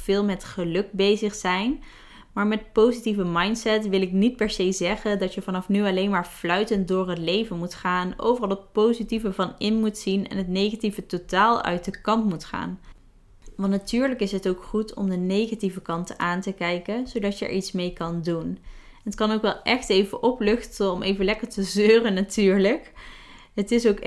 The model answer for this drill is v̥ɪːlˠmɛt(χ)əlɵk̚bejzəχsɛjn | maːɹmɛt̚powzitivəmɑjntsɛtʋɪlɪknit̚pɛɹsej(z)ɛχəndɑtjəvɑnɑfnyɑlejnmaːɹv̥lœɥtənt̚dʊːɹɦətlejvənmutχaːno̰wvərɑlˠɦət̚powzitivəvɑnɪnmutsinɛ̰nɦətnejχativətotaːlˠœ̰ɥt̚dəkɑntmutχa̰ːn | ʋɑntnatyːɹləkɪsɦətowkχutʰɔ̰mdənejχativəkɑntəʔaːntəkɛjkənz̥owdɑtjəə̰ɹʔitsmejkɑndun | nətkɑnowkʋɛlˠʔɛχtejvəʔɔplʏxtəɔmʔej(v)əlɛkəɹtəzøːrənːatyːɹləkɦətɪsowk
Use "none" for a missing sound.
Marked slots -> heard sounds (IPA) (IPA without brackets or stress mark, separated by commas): χ, z, v